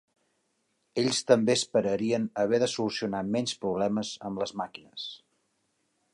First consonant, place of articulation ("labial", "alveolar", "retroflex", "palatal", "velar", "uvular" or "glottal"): palatal